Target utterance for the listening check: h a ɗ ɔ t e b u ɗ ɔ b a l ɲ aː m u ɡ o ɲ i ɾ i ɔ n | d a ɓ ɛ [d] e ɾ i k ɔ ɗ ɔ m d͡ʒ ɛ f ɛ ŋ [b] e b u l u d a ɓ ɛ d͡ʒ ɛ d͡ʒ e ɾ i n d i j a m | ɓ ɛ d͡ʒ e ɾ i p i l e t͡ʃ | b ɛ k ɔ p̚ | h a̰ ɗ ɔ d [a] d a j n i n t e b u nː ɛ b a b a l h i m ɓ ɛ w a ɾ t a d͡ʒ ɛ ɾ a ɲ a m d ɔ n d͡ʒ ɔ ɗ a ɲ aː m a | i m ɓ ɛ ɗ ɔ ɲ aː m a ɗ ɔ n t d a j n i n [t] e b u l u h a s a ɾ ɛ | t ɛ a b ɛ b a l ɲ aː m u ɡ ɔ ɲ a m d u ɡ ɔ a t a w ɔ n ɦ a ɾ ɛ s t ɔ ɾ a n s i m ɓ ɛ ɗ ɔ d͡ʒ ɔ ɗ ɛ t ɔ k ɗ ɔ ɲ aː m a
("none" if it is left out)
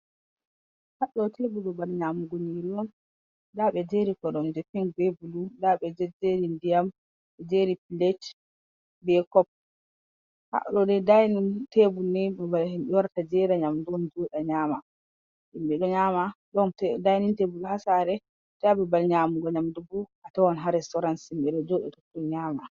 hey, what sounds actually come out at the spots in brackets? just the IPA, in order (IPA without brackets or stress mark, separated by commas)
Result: d͡ʒ, b, ɛ, t